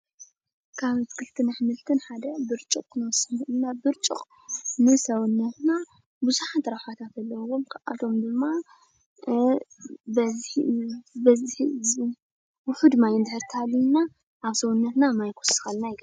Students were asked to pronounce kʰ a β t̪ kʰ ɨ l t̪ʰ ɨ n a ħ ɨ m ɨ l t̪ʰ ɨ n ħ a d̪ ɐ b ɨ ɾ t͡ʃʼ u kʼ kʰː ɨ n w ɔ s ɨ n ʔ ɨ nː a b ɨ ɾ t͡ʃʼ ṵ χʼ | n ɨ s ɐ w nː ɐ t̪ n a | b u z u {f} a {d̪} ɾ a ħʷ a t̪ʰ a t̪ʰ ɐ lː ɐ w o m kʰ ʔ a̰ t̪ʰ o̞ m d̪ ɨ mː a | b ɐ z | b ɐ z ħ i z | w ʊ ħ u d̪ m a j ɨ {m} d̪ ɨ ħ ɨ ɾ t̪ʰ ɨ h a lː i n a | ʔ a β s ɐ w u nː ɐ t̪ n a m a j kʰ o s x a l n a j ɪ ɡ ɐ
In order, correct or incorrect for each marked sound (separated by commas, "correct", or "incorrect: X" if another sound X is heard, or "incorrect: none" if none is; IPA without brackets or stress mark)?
incorrect: ħ, incorrect: t̪, incorrect: n